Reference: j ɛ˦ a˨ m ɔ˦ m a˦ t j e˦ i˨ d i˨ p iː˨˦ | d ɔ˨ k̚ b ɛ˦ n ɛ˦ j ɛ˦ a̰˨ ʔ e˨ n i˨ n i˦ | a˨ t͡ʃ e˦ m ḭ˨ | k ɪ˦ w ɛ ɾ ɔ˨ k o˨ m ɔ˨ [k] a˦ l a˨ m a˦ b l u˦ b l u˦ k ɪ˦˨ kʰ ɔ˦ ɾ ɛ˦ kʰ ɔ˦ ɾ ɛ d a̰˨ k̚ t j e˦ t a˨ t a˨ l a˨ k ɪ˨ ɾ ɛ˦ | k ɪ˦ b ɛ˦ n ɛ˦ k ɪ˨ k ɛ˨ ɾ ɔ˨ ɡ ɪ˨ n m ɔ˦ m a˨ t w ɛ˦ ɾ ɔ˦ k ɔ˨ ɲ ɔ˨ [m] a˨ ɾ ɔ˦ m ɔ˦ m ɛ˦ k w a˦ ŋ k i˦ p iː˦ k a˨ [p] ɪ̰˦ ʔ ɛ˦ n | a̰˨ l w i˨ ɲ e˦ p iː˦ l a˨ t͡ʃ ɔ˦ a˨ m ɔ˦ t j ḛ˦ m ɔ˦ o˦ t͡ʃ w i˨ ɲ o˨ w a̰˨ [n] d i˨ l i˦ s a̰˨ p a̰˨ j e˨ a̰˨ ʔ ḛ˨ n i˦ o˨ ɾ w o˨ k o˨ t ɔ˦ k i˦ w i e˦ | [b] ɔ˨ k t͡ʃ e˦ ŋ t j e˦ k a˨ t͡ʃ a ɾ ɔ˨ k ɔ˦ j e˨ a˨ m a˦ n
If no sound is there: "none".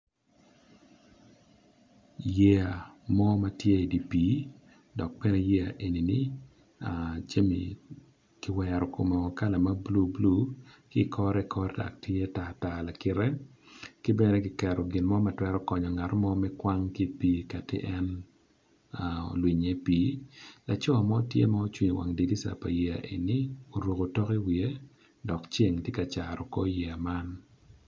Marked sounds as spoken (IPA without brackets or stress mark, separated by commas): k, ŋ, t, ŋ, d